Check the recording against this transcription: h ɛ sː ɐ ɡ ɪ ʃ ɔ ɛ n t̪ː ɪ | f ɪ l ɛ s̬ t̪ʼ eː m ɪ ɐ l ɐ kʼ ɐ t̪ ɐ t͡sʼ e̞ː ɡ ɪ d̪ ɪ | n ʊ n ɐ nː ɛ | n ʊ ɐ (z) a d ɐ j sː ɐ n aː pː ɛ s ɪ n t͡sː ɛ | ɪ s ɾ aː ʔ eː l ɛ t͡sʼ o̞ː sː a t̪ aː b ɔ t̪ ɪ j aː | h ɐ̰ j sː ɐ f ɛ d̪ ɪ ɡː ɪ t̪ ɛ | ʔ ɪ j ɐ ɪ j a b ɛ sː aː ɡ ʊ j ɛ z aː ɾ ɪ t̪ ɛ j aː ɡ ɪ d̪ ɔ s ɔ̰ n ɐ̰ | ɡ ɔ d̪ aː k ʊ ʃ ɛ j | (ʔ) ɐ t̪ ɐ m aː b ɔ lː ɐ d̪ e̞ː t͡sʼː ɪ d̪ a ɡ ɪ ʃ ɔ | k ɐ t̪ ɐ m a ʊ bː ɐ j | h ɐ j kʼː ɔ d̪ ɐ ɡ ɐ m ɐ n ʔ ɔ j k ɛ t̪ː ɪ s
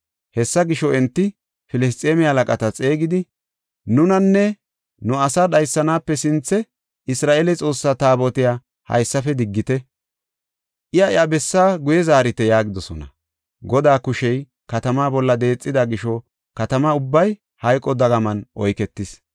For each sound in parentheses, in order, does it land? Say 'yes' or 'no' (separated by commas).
no, no